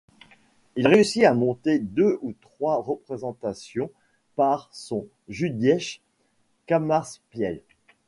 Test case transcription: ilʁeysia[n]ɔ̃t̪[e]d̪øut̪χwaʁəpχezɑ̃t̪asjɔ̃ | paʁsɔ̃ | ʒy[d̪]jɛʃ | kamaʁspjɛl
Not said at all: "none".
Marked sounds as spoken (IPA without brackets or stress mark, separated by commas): m, e, d̪